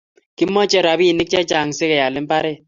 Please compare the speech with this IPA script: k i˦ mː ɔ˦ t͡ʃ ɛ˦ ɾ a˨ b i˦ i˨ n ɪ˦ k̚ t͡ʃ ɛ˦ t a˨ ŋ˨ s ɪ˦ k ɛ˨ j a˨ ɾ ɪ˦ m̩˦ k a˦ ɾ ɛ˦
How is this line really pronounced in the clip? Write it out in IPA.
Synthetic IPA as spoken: k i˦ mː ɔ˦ t͡ʃ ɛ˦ ɾ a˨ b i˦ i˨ n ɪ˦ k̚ t͡ʃ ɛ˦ t͡ʃ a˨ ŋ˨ s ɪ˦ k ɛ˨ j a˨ l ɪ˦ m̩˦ p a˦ ɾ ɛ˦